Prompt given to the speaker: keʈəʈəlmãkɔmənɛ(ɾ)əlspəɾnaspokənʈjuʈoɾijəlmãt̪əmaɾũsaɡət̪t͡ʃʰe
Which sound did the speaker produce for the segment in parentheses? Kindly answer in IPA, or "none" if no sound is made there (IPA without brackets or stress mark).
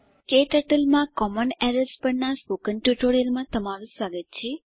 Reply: ɾ